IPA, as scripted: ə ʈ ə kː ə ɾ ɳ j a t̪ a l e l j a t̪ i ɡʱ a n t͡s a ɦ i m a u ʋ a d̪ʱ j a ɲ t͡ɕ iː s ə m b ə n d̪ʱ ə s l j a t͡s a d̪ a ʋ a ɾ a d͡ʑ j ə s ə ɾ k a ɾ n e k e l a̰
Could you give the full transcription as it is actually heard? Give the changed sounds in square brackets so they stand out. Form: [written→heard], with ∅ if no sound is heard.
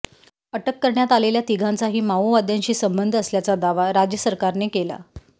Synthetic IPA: ə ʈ ə kː ə ɾ ɳ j a t̪ a l e l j a t̪ i ɡʱ a n t͡s a ɦ [i→iː] m a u ʋ a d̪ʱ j a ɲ t͡ɕ iː s ə m b ə n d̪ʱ ə s l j a t͡s a d̪ a ʋ a ɾ a d͡ʑ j ə s ə ɾ k a ɾ n e k e l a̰